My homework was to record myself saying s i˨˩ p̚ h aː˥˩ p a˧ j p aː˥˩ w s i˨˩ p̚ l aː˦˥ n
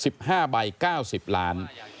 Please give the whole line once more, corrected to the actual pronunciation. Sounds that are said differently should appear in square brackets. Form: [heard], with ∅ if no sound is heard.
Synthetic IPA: s i˨˩ p̚ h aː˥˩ [b] a˧ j [k] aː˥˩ w s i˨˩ p̚ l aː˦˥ n